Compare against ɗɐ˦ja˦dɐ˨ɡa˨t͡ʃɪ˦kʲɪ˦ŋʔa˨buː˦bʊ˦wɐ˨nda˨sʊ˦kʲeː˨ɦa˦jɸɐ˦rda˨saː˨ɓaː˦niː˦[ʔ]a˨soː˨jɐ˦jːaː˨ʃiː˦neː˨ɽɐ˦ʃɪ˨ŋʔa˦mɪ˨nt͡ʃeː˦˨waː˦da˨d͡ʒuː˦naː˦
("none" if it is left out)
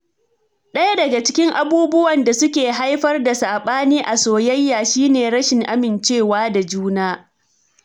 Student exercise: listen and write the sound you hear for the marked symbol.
ʔ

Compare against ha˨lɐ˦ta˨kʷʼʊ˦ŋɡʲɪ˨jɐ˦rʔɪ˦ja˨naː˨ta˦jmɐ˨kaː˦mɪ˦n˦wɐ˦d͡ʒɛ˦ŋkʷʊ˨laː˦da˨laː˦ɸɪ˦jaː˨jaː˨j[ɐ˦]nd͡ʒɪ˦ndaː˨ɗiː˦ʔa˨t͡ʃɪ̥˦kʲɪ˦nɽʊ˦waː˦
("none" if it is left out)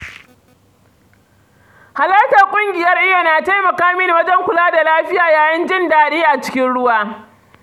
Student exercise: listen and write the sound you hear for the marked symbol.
ɐ˦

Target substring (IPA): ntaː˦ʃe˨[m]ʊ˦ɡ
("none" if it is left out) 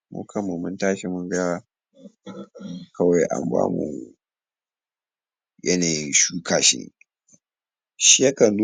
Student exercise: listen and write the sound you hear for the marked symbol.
m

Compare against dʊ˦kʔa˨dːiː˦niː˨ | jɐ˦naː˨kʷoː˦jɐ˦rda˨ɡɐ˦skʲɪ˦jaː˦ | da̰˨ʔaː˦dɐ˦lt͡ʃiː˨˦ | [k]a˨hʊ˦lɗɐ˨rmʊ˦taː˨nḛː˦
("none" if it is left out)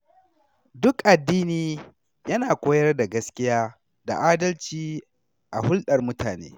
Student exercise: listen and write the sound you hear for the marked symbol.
ʔ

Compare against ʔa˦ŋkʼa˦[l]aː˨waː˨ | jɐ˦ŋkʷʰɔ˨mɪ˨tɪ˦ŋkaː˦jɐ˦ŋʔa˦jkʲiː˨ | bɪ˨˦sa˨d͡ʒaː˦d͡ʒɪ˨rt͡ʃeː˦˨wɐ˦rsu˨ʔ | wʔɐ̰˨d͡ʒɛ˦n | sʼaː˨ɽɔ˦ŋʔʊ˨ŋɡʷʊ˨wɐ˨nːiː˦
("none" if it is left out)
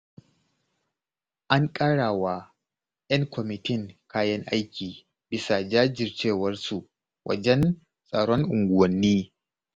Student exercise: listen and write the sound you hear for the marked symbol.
ɽ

